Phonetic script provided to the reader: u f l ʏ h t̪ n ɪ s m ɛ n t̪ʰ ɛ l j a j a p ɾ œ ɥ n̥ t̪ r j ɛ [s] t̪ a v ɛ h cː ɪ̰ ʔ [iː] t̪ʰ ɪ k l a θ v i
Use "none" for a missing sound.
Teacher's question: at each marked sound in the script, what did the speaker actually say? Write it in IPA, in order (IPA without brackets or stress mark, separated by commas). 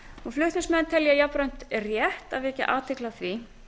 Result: h, aː